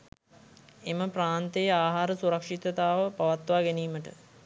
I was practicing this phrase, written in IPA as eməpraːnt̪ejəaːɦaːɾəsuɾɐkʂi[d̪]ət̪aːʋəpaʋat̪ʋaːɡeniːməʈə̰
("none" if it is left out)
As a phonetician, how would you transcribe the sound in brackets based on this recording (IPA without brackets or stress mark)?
t̪